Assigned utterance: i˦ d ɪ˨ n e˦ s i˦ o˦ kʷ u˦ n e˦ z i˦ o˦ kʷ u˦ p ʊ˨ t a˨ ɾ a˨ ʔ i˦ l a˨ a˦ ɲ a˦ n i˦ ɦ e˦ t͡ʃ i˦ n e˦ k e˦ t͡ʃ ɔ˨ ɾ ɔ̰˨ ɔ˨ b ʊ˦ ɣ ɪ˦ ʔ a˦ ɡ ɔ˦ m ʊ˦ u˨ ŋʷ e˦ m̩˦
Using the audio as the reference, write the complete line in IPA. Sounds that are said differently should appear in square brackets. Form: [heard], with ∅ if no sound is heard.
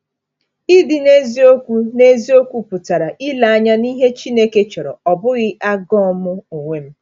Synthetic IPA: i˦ d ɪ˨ n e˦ [z] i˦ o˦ kʷ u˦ n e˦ z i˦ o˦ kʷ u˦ p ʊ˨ t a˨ ɾ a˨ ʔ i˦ l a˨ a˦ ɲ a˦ n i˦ ɦ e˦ t͡ʃ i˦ n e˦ k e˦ t͡ʃ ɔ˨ ɾ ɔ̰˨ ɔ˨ b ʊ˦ ɣ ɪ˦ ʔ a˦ ɡ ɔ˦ m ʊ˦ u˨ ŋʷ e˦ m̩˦

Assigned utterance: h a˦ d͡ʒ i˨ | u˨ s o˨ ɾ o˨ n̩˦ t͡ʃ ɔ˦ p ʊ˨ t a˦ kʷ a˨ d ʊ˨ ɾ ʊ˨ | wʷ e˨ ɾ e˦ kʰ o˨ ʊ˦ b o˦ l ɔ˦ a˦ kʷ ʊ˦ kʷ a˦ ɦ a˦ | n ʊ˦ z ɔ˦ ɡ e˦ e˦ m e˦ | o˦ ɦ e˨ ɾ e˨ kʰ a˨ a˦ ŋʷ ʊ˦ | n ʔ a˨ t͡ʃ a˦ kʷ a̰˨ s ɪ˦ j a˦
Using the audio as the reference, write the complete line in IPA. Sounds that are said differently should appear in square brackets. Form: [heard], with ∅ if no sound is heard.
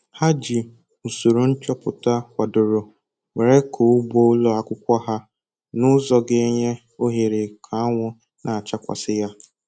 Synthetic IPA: h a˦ d͡ʒ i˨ | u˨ s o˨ ɾ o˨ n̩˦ t͡ʃ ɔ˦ p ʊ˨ t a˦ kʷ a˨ d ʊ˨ ɾ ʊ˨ | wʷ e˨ ɾ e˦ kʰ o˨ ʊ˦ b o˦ l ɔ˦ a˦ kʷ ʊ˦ kʷ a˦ ɦ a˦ | n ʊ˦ z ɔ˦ ɡ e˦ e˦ [ɲ] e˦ | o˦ ɦ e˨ ɾ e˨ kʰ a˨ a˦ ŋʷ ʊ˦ | n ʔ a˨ t͡ʃ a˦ kʷ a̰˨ s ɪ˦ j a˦

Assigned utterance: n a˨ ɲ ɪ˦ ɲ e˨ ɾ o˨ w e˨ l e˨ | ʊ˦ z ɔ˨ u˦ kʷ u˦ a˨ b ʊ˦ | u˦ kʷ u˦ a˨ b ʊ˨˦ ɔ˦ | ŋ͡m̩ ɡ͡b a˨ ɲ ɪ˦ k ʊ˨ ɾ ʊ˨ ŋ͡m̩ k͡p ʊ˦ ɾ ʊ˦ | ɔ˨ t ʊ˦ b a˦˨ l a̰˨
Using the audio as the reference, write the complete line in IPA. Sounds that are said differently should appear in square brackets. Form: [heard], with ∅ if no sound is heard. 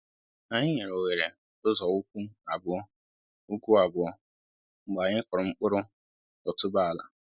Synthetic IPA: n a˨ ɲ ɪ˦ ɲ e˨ ɾ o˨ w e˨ [ɾ] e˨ | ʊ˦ z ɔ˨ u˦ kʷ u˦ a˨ b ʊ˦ | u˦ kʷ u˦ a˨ b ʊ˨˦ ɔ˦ | ŋ͡m̩ ɡ͡b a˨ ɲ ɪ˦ k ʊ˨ ɾ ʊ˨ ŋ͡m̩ k͡p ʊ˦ ɾ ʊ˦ | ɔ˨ t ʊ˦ b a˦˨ l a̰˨

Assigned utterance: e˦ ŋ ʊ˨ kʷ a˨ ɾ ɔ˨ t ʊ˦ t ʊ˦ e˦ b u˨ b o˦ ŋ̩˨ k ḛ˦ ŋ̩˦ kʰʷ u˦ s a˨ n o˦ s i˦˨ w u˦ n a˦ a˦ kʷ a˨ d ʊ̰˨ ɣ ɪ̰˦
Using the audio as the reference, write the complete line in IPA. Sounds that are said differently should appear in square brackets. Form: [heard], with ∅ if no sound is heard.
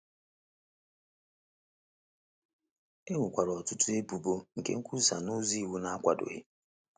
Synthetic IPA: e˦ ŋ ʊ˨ kʷ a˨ ɾ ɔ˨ t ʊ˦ t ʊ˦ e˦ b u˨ b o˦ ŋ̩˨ k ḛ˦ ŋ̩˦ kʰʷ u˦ s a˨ n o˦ [z] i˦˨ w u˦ n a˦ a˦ kʷ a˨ d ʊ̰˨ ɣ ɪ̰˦

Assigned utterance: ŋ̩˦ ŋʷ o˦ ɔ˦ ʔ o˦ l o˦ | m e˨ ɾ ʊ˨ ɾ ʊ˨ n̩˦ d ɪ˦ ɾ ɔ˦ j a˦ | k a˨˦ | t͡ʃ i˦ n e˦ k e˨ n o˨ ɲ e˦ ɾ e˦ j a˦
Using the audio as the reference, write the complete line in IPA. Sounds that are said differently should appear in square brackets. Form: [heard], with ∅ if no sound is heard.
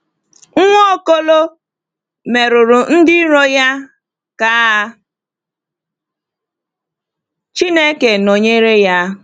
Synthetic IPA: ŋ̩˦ ŋʷ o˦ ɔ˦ [k] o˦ l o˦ | m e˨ ɾ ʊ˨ ɾ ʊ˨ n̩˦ d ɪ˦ ɾ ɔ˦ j a˦ | k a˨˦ | t͡ʃ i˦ n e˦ k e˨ n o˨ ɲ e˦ ɾ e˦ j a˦

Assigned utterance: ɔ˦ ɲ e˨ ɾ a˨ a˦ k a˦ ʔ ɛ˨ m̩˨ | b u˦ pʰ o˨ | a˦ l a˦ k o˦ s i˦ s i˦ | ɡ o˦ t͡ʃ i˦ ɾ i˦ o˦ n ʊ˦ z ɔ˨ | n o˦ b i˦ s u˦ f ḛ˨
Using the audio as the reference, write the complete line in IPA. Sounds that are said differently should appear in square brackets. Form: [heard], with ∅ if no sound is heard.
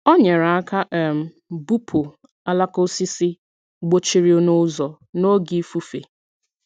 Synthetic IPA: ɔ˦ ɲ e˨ ɾ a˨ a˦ k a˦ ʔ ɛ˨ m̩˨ | b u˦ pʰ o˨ | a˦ l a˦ k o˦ s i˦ s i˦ | [ɡ͡b] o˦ t͡ʃ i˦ ɾ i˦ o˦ n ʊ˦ z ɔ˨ | n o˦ [ɡ] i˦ [f] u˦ f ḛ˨

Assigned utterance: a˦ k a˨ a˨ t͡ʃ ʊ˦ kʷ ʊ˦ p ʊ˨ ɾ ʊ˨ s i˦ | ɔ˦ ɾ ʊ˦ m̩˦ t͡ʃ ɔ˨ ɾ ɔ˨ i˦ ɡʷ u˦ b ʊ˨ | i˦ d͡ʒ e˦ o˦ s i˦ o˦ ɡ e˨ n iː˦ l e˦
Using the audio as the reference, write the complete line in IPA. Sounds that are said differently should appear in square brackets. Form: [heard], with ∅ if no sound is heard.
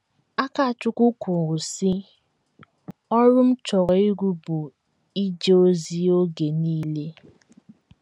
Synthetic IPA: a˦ k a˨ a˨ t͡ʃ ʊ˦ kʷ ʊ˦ [k] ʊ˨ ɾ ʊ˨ s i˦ | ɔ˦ ɾ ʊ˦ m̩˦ t͡ʃ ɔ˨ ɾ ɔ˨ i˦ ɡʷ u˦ b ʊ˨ | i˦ d͡ʒ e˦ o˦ [z] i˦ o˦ ɡ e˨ n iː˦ l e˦

